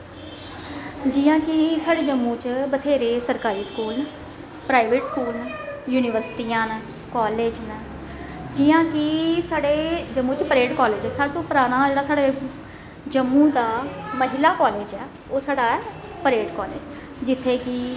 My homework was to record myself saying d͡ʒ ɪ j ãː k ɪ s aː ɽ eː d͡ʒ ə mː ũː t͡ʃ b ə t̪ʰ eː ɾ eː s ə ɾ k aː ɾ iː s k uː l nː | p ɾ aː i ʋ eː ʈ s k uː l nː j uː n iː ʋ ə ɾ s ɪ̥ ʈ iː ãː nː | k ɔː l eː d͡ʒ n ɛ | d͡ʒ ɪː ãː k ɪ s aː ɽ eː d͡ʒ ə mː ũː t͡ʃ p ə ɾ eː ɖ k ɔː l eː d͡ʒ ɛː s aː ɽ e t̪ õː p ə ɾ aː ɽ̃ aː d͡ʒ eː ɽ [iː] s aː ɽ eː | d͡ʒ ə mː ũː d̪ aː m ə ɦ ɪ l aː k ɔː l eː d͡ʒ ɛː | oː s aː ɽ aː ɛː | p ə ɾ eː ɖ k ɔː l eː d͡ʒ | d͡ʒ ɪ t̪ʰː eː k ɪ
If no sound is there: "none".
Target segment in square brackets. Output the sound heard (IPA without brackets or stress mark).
aː